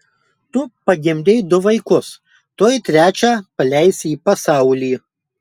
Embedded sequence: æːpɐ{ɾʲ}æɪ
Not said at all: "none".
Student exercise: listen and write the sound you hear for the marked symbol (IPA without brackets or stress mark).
lʲ